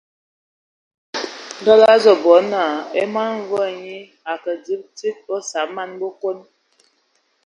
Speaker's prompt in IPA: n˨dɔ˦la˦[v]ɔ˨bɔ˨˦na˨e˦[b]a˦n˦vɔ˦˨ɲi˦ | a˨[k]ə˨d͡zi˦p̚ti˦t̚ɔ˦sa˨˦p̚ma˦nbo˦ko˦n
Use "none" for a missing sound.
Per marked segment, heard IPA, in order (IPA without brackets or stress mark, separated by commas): z, m, k